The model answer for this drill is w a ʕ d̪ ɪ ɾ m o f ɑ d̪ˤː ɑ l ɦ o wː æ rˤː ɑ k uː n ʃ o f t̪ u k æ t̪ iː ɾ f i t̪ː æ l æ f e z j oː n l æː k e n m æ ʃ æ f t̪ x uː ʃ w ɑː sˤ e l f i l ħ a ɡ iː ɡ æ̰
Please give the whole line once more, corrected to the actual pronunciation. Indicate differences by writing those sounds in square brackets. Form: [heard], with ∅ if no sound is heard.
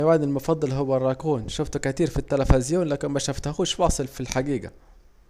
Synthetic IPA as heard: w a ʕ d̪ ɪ [l] m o f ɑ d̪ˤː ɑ l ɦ o wː æ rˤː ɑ k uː n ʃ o f t̪ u k æ t̪ iː ɾ f i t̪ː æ l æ f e z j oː n l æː k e n m æ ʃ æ f t̪ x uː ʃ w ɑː sˤ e l f i l ħ a ɡ iː ɡ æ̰